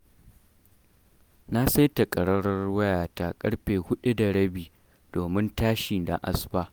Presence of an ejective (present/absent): present